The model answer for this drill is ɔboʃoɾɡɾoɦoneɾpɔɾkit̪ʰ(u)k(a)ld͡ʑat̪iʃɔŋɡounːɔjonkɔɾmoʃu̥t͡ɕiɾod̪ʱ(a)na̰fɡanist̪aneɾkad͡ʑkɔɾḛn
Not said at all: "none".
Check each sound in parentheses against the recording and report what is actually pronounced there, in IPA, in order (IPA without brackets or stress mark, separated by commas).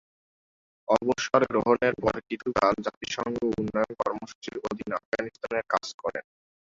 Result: u, a, i